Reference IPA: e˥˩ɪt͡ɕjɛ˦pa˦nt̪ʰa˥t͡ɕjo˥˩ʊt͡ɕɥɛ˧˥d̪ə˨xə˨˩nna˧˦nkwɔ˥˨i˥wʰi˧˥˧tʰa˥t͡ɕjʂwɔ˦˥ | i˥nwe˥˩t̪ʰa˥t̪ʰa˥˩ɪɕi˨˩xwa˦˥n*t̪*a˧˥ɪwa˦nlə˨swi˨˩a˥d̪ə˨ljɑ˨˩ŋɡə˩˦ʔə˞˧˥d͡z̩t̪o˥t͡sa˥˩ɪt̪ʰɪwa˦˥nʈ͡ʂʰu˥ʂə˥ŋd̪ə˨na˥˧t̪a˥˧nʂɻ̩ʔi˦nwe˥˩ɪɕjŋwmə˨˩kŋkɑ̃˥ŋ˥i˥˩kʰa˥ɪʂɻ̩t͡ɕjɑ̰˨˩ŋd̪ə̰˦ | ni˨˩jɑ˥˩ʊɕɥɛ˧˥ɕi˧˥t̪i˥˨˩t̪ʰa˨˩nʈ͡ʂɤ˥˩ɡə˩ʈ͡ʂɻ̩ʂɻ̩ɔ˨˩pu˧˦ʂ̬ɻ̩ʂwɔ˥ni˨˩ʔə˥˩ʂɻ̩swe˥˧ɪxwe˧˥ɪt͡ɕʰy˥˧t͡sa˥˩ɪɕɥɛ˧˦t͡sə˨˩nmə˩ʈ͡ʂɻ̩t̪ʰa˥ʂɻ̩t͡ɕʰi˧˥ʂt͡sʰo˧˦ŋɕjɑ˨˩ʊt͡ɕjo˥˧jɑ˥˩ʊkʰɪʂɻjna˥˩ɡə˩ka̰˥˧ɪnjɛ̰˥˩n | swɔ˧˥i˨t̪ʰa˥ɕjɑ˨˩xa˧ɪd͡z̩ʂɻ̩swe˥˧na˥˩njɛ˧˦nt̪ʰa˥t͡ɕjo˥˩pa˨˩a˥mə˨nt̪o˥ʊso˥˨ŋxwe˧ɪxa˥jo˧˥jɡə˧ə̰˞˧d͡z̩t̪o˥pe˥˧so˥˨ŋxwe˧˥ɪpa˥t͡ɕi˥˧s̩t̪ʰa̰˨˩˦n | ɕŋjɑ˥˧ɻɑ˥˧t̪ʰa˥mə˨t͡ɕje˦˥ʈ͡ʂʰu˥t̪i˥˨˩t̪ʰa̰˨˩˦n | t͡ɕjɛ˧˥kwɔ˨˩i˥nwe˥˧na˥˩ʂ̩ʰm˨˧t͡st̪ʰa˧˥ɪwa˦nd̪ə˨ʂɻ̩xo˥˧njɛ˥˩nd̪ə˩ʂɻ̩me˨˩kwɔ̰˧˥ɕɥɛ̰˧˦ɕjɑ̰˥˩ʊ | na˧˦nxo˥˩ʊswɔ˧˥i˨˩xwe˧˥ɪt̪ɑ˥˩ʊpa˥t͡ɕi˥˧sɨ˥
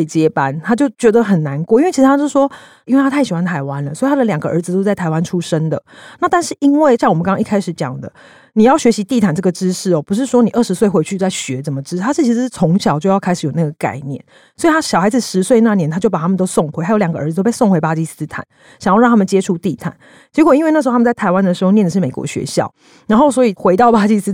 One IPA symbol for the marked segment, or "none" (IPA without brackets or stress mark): t̪ʰ